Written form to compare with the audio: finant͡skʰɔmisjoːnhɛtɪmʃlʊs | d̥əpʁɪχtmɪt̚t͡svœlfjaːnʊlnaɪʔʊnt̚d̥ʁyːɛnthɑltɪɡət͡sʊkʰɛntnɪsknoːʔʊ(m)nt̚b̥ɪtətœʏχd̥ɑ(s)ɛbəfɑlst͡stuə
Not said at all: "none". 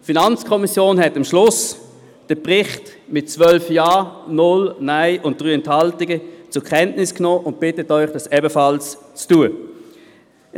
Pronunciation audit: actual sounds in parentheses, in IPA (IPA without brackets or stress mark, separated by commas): none, s